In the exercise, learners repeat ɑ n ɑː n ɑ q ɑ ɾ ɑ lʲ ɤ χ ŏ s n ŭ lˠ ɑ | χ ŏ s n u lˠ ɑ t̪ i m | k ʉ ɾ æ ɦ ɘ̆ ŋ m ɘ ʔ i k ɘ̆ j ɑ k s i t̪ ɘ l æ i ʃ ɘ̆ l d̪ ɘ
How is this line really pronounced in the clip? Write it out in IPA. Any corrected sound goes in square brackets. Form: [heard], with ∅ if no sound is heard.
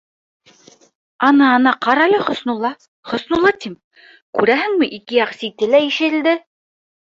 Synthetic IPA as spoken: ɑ n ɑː n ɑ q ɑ ɾ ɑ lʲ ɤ χ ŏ s n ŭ lˠ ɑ | χ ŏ s n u lˠ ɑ t̪ i m | k ʉ ɾ æ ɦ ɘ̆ ŋ m ɘ ʔ i k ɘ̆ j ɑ [q] s i t̪ ɘ l æ i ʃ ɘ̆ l d̪ ɘ